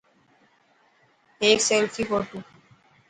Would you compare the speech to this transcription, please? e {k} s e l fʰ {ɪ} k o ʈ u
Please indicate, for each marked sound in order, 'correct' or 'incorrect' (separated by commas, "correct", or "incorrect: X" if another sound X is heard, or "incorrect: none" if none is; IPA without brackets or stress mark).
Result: correct, incorrect: i